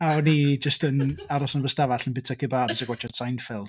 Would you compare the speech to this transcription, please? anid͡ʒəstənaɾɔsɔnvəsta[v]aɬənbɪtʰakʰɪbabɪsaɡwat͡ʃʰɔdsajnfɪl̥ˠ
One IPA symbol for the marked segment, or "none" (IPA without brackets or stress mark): v